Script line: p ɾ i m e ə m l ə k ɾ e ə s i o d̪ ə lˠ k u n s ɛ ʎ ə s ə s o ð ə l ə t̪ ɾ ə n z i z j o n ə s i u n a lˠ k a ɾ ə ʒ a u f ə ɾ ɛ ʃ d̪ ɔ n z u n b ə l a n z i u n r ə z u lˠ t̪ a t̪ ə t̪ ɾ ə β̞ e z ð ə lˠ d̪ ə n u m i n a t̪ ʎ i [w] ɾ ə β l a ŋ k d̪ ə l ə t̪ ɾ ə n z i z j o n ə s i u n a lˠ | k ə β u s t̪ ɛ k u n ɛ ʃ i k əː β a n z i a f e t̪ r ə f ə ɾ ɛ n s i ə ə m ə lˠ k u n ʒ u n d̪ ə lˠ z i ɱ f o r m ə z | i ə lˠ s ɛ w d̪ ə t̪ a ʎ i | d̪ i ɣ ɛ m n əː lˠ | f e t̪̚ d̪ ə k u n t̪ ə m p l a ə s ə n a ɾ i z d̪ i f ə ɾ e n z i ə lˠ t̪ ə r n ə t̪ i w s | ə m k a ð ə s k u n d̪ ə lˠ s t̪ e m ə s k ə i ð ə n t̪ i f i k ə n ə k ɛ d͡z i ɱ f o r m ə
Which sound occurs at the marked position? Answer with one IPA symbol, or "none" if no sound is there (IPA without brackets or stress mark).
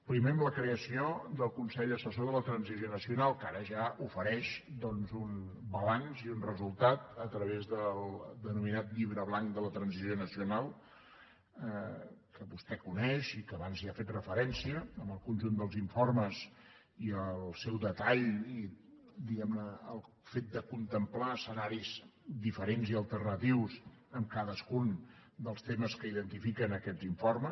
β